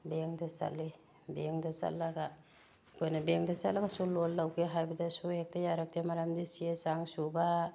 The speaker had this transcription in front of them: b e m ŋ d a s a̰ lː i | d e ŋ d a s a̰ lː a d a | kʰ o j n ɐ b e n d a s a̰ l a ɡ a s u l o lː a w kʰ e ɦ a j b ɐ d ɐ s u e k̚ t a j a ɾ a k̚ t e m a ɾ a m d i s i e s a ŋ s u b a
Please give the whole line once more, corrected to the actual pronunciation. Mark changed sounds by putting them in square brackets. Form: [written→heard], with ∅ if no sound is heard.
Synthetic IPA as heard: b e [m→∅] ŋ d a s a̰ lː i | [d→b] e ŋ d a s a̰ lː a [d→ɡ] a | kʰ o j n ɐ b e [n→ŋ] d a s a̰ l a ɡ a s u l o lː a w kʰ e ɦ a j b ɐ d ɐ s u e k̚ t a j a ɾ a k̚ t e m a ɾ a m d i s i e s a ŋ s u b a